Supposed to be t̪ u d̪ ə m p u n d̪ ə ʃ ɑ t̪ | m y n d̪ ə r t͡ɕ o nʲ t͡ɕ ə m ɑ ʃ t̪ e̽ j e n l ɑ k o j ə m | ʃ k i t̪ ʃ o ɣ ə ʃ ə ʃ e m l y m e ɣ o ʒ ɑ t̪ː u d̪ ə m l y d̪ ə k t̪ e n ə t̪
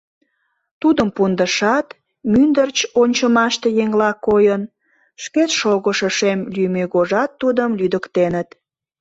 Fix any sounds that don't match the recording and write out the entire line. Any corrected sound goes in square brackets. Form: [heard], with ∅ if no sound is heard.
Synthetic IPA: t̪ u d̪ ə m p u n d̪ ə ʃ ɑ t̪ | m y n d̪ ə r t͡ɕ o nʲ t͡ɕ ə m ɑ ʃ t̪ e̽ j e [ŋ] l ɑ k o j ə [n] | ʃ k [e] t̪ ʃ o ɣ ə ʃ ə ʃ e m l y m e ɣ o ʒ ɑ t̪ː u d̪ ə m l y d̪ ə k t̪ e n ə t̪